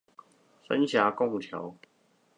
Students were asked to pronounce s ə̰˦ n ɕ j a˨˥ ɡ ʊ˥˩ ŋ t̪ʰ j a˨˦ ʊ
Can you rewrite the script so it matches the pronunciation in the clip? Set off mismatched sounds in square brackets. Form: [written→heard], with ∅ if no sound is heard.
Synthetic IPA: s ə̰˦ n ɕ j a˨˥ [ɡ→k] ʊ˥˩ ŋ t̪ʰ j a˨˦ ʊ